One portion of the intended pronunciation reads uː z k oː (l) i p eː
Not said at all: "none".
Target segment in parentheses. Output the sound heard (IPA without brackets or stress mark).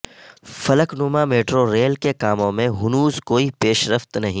none